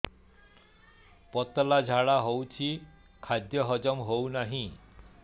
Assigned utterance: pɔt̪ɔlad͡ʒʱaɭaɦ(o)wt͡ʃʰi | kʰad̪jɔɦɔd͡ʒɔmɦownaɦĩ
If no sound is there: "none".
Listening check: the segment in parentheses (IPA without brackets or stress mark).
o